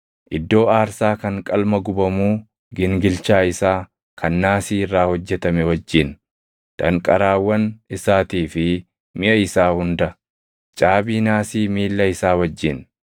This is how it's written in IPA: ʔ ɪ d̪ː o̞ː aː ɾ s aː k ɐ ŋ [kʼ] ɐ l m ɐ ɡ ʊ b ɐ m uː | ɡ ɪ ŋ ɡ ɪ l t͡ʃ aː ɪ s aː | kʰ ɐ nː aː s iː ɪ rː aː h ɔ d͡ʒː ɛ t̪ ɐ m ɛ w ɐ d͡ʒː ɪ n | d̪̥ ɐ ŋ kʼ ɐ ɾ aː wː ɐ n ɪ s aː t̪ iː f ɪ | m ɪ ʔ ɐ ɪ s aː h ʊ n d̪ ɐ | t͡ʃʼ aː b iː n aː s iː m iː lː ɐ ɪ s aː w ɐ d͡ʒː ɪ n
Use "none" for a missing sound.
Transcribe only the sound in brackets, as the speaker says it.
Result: kʼ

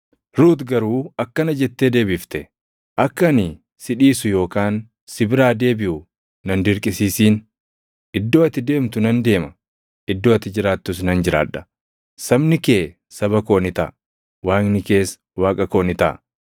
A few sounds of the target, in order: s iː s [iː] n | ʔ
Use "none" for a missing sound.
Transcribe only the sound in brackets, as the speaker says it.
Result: iː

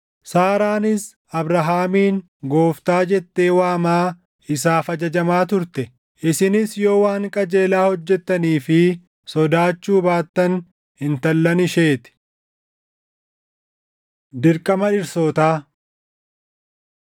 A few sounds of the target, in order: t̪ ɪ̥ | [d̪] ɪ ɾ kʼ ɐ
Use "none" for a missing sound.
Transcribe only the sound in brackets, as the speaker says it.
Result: d̪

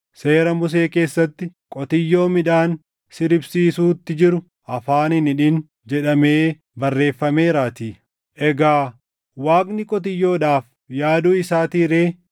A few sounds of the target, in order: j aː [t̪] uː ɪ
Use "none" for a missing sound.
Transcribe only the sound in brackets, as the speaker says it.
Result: d̪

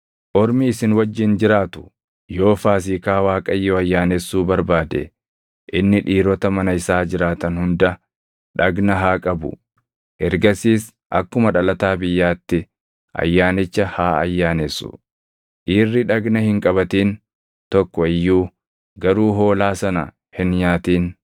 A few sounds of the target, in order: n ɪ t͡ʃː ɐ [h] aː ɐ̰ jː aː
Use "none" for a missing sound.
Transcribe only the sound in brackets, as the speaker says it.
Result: h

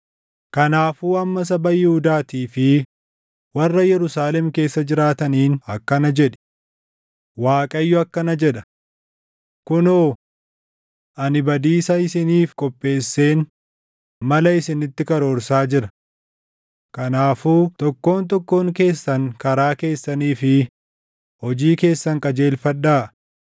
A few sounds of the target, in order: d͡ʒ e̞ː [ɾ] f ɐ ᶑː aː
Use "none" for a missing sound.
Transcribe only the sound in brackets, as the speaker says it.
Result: l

